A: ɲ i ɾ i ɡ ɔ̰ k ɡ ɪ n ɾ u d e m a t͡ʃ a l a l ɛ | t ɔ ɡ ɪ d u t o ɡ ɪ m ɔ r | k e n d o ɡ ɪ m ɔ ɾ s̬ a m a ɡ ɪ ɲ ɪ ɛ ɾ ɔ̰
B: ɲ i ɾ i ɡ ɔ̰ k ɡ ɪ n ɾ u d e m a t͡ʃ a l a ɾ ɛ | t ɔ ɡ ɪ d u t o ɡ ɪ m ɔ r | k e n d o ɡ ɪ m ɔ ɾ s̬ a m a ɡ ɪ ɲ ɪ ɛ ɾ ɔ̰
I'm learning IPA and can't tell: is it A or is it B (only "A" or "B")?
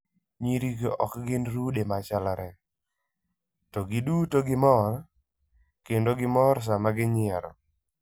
B